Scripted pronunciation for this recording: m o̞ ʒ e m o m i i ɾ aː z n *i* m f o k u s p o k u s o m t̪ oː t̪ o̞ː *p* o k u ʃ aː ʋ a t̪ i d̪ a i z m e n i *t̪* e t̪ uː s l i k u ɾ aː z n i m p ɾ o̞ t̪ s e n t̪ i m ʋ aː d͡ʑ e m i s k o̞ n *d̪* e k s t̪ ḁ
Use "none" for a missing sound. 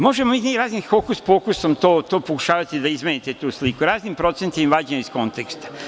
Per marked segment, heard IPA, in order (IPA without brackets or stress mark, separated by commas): i, p, t̪, t̪